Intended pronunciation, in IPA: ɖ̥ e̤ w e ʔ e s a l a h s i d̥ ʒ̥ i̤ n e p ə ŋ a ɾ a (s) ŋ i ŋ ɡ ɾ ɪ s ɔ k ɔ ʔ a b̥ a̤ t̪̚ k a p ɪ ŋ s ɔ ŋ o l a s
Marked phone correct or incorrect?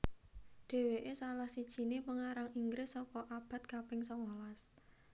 incorrect